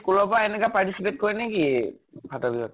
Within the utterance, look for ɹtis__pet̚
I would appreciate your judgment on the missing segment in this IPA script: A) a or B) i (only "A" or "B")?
B